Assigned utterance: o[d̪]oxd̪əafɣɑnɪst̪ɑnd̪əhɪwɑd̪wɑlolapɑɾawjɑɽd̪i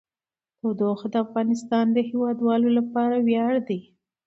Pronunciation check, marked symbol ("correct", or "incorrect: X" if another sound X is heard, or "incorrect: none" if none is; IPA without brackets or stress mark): correct